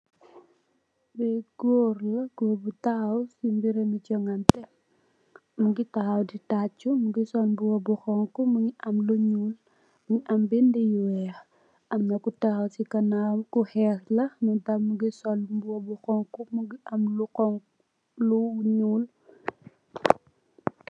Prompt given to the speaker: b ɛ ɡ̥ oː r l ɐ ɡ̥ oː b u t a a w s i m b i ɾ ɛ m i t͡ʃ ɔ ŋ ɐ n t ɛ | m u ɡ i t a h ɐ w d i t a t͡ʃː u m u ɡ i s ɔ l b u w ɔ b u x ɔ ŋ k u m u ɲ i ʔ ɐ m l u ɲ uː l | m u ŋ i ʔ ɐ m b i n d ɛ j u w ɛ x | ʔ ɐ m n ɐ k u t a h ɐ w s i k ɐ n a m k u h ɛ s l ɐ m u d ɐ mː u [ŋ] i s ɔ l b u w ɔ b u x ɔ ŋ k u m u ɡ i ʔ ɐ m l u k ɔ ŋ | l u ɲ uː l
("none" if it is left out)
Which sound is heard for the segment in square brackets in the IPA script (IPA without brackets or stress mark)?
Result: ɡ